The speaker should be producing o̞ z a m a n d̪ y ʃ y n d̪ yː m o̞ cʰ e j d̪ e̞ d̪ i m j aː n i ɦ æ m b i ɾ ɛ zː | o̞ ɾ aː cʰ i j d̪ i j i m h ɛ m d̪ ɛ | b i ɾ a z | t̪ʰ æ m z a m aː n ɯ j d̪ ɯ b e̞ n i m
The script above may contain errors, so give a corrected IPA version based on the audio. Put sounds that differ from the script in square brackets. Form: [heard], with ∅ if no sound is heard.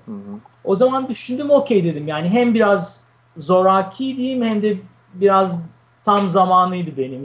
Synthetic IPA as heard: o̞ z a m a n d̪ y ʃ y n d̪ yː m o̞ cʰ e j d̪ e̞ d̪ i m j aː n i ɦ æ m b i ɾ [a] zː | o̞ ɾ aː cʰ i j d̪ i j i m h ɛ m d̪ ɛ | b i ɾ a z | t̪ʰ [a] m z a m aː n ɯ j d̪ ɯ b e̞ n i m